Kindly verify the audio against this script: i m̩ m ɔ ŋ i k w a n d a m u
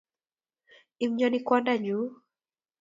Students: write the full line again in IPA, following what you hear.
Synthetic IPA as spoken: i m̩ ɲ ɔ n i k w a n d a ɲ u